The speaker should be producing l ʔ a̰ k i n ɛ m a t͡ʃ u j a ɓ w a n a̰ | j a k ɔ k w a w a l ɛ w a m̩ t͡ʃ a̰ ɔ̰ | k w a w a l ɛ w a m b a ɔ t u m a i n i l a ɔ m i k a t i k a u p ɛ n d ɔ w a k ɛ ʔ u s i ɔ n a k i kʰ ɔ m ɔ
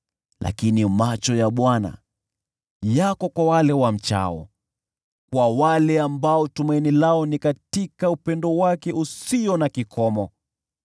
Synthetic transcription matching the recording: l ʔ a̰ k i n i m a t͡ʃ ɔ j a ɓ w a n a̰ | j a k ɔ k w a w a l ɛ w a m̩ t͡ʃ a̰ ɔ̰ | k w a w a l ɛ a m b a ɔ t u m a i n i l a ɔ n i k a t i k a u p ɛ n d ɔ w a k ɛ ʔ u s i ɔ n a k i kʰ ɔ m ɔ

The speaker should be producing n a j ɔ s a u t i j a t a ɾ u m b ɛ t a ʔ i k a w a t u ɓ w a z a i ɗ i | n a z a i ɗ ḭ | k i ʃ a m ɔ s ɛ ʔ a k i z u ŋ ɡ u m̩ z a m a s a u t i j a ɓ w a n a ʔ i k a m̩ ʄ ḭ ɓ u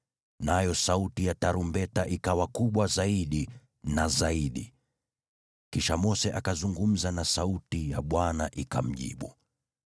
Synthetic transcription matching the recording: n a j ɔ s a u t i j a t a ɾ u m b ɛ t a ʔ i k a w a k u ɓ w a z a i ɗ i | n a z a i ɗ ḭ | k i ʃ a m ɔ s ɛ ʔ a k a z u ŋ ɡ u m̩ z a n a s a u t i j a ɓ w a n a ʔ i k a m̩ ʄ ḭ ɓ u

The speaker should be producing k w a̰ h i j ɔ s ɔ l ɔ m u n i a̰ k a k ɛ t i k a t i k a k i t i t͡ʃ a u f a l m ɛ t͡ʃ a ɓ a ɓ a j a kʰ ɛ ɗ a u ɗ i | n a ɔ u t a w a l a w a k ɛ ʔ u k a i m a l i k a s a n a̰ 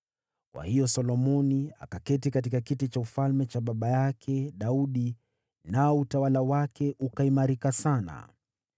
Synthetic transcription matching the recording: k w a̰ h i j ɔ s ɔ l ɔ m ɔ n i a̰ k a k ɛ t i k a t i k a k i t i t͡ʃ a u f a l m ɛ t͡ʃ a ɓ a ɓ a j a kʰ ɛ ɗ a u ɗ i | n a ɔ u t a w a l a w a k ɛ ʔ u k a i m a ɾ i k a s a n a̰

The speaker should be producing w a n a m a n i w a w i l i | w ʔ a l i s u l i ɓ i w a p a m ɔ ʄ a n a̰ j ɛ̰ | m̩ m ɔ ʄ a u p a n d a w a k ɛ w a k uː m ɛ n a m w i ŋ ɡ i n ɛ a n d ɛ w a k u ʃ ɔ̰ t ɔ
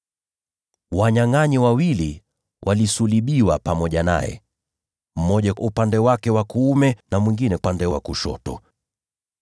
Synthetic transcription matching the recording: w a ɲ a ŋ a ɲ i w a w i l i | w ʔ a l i s u l i ɓ i w a p a m ɔ ʄ a n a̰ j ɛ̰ | m̩ m ɔ ʄ a u p a n d ɛ w a k ɛ w a k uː m ɛ n a m w i ŋ ɡ i n ɛ a n d ɛ w a k u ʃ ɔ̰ t ɔ

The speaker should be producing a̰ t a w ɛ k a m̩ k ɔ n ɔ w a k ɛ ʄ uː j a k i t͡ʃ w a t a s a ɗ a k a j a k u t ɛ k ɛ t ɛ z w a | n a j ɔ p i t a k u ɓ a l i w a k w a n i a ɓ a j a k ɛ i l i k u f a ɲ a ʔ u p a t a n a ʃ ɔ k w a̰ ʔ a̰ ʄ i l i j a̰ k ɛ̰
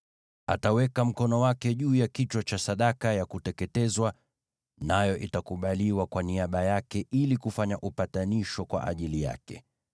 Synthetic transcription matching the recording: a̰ t a w ɛ k a m̩ k ɔ n ɔ w a k ɛ ʄ uː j a k i t͡ʃ w a t͡ʃ a s a ɗ a k a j a k u t ɛ k ɛ t ɛ z w a | n a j ɔ ʔ i t a k u ɓ a l i w a k w a n i a ɓ a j a k ɛ i l i k u f a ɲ a ʔ u p a t a n i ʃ ɔ k w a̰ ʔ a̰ ʄ i l i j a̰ k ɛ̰

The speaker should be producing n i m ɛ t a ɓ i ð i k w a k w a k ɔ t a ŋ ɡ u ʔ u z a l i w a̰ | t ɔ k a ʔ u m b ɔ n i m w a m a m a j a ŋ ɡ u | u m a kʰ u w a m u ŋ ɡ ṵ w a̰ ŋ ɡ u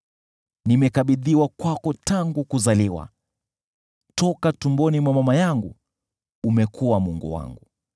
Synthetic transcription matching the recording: n i m ɛ k a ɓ i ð i w a k w a k ɔ t a ŋ ɡ u k u z a l i w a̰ | t ɔ k a t u m b ɔ n i m w a m a m a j a ŋ ɡ u | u m ɛ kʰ u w a m u ŋ ɡ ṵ w a̰ ŋ ɡ u

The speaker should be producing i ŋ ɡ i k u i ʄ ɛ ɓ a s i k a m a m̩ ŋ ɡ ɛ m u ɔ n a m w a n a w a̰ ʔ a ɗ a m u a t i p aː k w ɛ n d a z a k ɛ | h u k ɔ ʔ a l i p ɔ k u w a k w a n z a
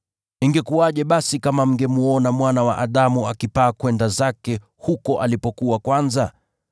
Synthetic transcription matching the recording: i ŋ ɡ ɛ k u a ʄ ɛ ɓ a s i k a m a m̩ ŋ ɡ ɛ m u ɔ n a m w a n a w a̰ ʔ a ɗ a m u a k i p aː k w ɛ n d a z a k ɛ | h u k ɔ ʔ a l i p ɔ k u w a k w a n z a

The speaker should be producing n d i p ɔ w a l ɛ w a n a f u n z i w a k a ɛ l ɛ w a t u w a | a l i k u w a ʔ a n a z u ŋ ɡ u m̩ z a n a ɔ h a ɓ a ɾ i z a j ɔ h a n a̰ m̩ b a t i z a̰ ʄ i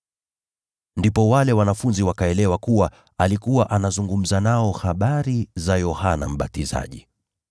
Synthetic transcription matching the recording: n d i p ɔ w a l ɛ w a n a f u n z i w a k a ɛ l ɛ w a k u w a | a l i k u w a ʔ a n a z u ŋ ɡ u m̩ z a n a ɔ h a ɓ a ɾ i z a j ɔ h a n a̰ m̩ ɓ a t i z a̰ ʄ i

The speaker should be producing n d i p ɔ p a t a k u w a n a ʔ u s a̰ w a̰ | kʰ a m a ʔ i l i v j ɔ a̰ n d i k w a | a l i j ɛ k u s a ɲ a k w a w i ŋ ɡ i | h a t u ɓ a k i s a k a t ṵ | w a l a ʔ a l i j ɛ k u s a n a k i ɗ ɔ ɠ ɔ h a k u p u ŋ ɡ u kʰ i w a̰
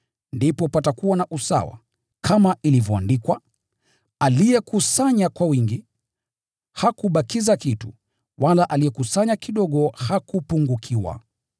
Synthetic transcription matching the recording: n d i p ɔ p a t a k u w a n a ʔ u s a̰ w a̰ | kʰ a m a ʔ i l i v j ɔ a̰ n d i k w a | a l i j ɛ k u s a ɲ a k w a w i ŋ ɡ i | h a k u ɓ a k i z a k i t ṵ | w a l a ʔ a l i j ɛ k u s a ɲ a k i ɗ ɔ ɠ ɔ h a k u p u ŋ ɡ u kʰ i w a̰

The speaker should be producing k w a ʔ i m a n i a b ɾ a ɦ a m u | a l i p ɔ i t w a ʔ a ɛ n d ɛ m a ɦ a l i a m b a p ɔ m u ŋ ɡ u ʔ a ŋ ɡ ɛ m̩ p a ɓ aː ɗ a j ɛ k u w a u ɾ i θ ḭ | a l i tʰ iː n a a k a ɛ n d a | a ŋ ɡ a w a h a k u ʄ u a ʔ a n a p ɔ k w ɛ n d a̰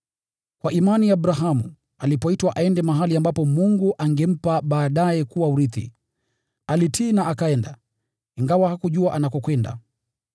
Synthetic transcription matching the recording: k w a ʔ i m a n i a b ɾ a ɦ a m u | a l i p ɔ i t w a ʔ a ɛ n d ɛ m a ɦ a l i a m b a p ɔ m u ŋ ɡ u ʔ a ŋ ɡ ɛ m̩ p a ɓ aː ɗ a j ɛ k u w a u ɾ i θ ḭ | a l i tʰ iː n a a k a ɛ n d a | i ŋ ɡ a w a h a k u ʄ u a ʔ a n a k ɔ k w ɛ n d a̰

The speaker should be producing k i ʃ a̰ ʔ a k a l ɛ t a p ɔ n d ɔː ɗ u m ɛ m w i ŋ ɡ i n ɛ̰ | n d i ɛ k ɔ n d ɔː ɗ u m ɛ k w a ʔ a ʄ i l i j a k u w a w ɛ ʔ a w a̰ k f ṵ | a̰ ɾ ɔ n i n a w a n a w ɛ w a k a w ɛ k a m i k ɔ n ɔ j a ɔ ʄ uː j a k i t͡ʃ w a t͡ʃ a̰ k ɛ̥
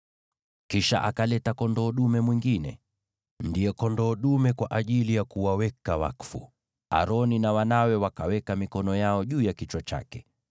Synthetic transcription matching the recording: k i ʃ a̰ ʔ a k a l ɛ t a k ɔ n d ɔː ɗ u m ɛ m w i ŋ ɡ i n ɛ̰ | n d i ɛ k ɔ n d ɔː ɗ u m ɛ k w a ʔ a ʄ i l i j a k u w a w ɛ k a w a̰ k f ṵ | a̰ ɾ ɔ n i n a w a n a w ɛ w a k a w ɛ k a m i k ɔ n ɔ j a ɔ ʄ uː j a k i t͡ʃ w a t͡ʃ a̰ k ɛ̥

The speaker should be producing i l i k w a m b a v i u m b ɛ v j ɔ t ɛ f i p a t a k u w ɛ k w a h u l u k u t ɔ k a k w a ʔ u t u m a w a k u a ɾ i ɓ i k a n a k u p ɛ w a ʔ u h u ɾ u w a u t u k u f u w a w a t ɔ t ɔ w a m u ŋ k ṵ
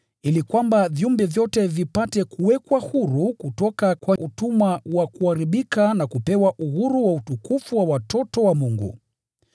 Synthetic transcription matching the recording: i l i k w a m b a v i u m b ɛ v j ɔ t ɛ v i p a t ɛ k u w ɛ k w a h u ɾ u k u t ɔ k a k w a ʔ u t u m a w a k u a ɾ i ɓ i k a n a k u p ɛ w a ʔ u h u ɾ u w a u t u k u f u w a w a t ɔ t ɔ w a m u ŋ ɡ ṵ

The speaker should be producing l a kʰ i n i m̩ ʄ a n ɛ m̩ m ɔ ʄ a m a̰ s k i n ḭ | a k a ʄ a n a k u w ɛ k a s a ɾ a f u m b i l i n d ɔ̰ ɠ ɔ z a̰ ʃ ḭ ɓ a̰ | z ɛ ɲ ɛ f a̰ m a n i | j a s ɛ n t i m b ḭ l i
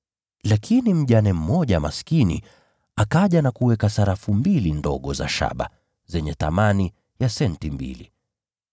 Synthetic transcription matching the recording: l a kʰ i n i m̩ ʄ a n ɛ m̩ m ɔ ʄ a m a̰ s k i n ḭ | a k a ʄ a n a k u w ɛ k a s a ɾ a f u m b i l i n d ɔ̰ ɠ ɔ z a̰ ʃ a̰ ɓ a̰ | z ɛ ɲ ɛ θ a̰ m a n i | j a s ɛ n t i m b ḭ l i

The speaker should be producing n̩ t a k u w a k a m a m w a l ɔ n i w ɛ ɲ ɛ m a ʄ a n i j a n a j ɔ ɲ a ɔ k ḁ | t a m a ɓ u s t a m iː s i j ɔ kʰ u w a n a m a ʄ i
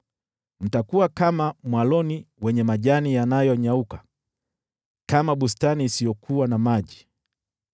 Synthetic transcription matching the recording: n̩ t a k u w a k a m a m w a l ɔ n i w ɛ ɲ ɛ m a ʄ a n i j a n a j ɔ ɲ a u k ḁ | k a m a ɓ u s t a n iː s i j ɔ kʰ u w a n a m a ʄ i

